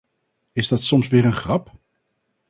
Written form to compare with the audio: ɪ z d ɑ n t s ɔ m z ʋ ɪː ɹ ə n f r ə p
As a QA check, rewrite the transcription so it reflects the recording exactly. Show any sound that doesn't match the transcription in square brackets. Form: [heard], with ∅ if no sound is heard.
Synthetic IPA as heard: ɪ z d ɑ [∅] t s ɔ m [s] ʋ ɪː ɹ ə n [χ] r [ɑ] p